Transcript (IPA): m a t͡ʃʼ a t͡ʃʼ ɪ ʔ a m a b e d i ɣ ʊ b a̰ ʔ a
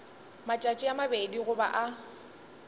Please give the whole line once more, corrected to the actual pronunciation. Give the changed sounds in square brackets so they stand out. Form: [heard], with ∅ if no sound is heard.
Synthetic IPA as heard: m a t͡ʃʼ a t͡ʃʼ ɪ [∅] a m a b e d i ɣ ʊ b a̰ ʔ a